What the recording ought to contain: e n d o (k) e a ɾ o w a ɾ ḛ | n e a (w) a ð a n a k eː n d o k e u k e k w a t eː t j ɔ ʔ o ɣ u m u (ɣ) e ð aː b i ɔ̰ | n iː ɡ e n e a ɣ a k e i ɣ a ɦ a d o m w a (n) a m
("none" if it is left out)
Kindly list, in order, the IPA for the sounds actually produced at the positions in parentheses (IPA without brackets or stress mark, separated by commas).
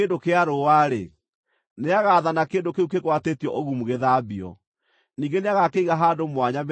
k, ɣ, ɣ, ɲ